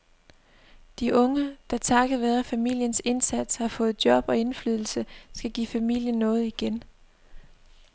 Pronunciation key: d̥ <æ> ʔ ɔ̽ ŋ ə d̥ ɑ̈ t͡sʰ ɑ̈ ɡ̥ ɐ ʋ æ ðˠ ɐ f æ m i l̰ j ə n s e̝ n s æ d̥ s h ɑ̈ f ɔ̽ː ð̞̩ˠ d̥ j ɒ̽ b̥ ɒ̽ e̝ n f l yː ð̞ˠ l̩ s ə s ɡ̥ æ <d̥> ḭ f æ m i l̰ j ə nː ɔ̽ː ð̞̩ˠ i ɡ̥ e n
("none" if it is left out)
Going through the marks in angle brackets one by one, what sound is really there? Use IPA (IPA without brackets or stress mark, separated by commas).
i, ɡ̥